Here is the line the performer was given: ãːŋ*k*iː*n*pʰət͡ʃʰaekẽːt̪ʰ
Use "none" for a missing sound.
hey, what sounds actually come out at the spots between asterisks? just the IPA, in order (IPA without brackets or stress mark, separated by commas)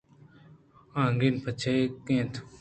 ɡ, n